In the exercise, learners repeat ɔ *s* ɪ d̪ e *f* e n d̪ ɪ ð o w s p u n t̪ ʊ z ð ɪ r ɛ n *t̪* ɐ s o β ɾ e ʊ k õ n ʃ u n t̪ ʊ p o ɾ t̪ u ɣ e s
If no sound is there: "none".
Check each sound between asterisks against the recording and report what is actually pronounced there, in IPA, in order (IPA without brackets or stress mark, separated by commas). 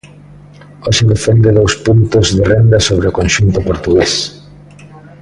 ʃ, f, d̪